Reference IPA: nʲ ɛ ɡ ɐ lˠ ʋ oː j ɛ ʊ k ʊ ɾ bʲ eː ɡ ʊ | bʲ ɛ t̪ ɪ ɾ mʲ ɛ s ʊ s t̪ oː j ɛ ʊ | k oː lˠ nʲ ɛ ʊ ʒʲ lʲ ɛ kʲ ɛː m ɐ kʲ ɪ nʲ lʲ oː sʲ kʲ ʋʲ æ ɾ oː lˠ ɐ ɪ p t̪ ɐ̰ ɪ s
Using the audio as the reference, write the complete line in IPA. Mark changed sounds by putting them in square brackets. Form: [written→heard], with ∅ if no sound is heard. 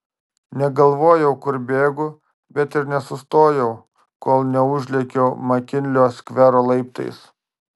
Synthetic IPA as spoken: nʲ ɛ ɡ ɐ lˠ ʋ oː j ɛ ʊ k ʊ ɾ bʲ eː ɡ ʊ | bʲ ɛ t̪ ɪ ɾ [mʲ→nʲ] ɛ s ʊ s t̪ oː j ɛ ʊ | k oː lˠ nʲ ɛ ʊ ʒʲ lʲ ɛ kʲ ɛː m ɐ kʲ ɪ nʲ lʲ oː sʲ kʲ ʋʲ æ ɾ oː lˠ ɐ ɪ p t̪ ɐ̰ ɪ s